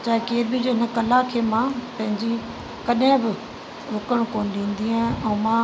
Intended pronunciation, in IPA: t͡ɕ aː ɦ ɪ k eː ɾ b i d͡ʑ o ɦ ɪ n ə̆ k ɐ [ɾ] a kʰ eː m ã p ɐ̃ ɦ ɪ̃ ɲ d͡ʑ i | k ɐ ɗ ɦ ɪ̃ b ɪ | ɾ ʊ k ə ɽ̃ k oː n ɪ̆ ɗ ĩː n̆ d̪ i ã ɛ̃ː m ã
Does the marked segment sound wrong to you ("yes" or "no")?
yes